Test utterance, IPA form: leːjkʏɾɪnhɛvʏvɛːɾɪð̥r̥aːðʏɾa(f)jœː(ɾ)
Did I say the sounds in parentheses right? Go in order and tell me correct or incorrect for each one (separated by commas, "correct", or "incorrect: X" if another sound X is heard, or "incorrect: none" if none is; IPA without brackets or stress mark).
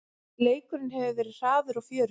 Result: correct, correct